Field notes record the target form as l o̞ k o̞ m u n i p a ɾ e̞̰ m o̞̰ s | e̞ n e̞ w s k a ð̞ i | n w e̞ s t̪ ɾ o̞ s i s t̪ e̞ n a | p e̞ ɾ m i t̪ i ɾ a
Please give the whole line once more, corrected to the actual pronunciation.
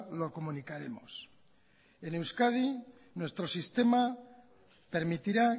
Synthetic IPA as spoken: l o̞ k o̞ m u n i k a ɾ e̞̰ m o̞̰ s | e̞ n e̞ w s k a ð̞ i | n w e̞ s t̪ ɾ o̞ s i s t̪ e̞ m a | p e̞ ɾ m i t̪ i ɾ a